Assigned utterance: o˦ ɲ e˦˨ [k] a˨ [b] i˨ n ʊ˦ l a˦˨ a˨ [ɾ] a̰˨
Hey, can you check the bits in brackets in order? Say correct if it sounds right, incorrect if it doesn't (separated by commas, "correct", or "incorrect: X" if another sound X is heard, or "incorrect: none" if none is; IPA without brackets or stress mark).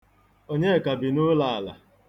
correct, correct, incorrect: l